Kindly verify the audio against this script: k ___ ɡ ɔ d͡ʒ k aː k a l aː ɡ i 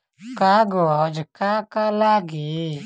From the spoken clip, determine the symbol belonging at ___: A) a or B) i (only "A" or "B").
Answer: A